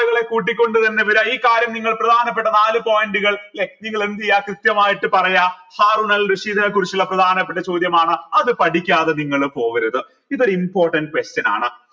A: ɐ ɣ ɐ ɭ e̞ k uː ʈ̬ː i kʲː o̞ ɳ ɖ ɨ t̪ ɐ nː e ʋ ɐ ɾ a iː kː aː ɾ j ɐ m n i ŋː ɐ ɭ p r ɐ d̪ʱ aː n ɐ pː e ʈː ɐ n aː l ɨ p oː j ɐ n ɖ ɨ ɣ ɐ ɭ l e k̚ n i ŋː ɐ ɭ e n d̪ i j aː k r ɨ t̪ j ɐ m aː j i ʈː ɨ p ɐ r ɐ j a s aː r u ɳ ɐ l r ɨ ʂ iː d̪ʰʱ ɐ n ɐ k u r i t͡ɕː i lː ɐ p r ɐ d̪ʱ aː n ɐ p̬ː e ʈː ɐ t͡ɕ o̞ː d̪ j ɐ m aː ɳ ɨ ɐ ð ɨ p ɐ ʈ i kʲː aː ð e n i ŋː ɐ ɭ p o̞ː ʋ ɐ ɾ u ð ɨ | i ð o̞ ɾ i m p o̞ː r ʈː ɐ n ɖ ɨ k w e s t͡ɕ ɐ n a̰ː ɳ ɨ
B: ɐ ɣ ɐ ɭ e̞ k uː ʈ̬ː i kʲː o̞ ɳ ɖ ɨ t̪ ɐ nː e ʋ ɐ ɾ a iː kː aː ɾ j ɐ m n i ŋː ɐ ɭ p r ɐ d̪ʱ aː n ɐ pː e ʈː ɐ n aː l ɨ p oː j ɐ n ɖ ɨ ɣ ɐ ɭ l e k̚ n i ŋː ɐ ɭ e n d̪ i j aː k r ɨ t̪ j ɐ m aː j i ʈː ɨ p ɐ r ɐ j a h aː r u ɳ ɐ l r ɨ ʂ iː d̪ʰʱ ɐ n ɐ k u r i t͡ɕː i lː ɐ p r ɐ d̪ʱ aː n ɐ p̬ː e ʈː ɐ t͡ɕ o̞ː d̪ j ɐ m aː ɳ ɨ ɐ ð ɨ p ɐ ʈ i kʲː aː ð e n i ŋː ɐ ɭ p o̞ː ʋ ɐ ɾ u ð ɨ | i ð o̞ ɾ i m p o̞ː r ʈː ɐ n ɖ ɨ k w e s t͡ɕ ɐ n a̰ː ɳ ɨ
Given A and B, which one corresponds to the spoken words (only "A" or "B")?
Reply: B